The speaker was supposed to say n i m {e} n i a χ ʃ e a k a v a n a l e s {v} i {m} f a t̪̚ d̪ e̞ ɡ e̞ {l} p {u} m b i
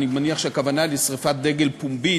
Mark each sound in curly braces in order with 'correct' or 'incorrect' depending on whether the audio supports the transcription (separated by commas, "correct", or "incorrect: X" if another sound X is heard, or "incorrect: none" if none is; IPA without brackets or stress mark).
incorrect: a, incorrect: ʁ, incorrect: none, correct, correct